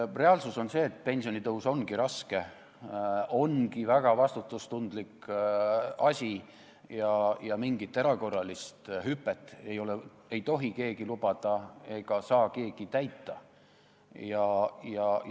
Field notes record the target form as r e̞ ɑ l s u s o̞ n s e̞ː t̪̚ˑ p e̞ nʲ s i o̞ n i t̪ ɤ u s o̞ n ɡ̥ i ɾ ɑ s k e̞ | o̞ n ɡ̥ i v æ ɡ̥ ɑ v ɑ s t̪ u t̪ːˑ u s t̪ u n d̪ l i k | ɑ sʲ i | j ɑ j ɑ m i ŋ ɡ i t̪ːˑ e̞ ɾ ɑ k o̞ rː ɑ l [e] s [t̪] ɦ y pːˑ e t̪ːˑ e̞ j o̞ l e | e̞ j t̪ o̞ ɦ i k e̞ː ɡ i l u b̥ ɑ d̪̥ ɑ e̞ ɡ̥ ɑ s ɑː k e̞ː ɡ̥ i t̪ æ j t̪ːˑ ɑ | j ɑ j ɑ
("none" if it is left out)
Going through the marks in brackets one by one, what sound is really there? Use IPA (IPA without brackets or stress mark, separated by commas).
i, t̪